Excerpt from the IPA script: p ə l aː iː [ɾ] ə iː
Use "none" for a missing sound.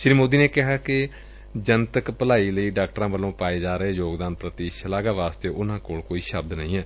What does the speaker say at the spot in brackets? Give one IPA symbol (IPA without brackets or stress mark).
l